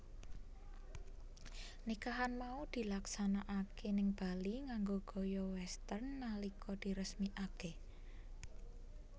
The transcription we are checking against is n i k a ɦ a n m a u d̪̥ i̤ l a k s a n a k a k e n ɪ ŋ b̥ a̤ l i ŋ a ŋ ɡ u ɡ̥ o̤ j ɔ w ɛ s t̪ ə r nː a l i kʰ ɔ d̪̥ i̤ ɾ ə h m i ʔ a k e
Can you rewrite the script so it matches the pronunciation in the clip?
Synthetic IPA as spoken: n i k a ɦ a n m a u d̪̥ i̤ l a k s a n a ʔ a k e n ɪ ŋ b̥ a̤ l i ŋ a ŋ ɡ o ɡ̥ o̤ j ɔ w ɛ s t̪ ə r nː a l i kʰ ɔ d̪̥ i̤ ɾ ə s m i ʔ a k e